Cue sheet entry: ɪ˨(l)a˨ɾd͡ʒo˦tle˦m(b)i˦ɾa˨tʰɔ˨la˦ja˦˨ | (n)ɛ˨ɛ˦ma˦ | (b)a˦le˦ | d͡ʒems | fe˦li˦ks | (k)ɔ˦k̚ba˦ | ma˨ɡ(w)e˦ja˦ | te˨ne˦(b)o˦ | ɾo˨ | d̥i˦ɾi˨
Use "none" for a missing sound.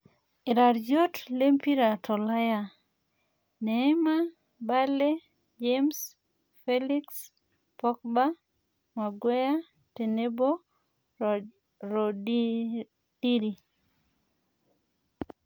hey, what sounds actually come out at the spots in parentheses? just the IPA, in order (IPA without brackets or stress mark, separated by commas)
ɾ, p, n, b, p, w, b